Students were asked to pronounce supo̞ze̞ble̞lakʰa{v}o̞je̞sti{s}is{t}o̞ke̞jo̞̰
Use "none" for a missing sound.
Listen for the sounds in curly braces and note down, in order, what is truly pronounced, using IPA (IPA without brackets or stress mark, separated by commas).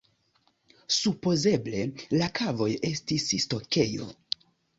v, s, t